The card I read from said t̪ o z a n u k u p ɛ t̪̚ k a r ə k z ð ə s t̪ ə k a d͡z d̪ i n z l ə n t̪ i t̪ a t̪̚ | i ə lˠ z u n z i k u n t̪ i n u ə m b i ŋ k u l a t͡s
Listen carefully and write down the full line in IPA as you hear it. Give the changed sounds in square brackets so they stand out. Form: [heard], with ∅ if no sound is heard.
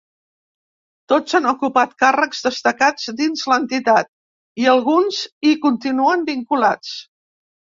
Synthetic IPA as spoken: t̪ o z a n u k u p [a] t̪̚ k a r ə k z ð ə s t̪ ə k a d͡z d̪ i n z l ə n t̪ i t̪ a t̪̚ | i ə lˠ [ɣ] u n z i k u n t̪ i n u ə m b i ŋ k u l a t͡s